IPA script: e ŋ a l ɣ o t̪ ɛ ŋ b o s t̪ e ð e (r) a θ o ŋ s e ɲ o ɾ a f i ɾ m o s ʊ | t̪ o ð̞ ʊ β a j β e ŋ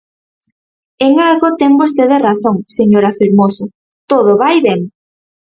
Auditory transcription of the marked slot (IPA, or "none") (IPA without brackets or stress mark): r